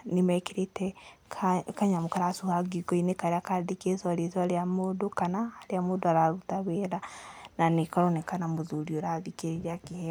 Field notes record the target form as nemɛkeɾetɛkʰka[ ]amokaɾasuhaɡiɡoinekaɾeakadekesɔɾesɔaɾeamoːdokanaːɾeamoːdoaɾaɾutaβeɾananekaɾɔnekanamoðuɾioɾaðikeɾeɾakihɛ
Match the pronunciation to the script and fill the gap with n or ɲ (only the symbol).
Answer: ɲ